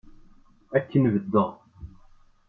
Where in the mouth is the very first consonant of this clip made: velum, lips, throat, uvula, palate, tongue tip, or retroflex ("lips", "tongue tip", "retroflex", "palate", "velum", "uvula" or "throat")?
velum